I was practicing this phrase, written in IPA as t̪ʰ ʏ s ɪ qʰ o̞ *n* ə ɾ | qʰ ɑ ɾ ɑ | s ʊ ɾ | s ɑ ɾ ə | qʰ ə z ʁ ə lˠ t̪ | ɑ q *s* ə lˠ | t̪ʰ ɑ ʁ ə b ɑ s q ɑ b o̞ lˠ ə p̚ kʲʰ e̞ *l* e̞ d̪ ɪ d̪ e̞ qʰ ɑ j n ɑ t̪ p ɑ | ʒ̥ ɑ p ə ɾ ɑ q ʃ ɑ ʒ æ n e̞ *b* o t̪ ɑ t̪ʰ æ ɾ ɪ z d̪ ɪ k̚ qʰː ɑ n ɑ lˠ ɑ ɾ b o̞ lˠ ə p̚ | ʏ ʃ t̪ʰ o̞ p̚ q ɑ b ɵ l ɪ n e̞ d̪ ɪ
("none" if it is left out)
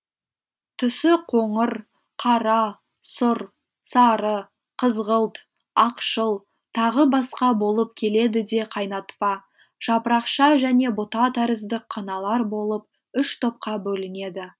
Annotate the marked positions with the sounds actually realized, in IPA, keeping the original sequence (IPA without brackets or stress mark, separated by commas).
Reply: ɴ, ʃ, l, b